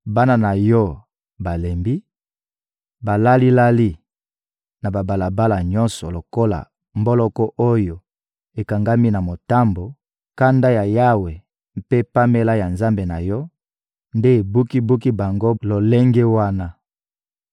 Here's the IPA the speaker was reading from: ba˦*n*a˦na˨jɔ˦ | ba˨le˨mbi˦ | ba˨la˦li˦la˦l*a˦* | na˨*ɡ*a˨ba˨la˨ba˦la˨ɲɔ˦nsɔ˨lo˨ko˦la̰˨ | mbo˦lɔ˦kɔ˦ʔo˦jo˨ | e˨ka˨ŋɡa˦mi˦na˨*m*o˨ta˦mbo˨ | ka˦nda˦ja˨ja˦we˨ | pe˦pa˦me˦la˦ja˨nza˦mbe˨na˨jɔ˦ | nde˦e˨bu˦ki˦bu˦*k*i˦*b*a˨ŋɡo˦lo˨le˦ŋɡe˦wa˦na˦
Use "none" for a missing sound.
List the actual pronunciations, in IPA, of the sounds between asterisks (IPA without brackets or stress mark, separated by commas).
n, i˦, b, m, k, b